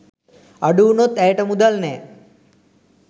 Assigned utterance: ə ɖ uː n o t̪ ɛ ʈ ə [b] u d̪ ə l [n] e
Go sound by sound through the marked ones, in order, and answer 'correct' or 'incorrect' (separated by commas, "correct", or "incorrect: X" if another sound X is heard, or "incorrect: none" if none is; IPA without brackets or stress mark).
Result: incorrect: m, correct